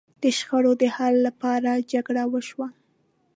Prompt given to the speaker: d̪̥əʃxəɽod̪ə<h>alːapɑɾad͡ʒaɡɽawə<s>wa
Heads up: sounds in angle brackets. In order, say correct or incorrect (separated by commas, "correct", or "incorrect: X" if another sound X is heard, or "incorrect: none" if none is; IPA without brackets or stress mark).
correct, incorrect: ʃ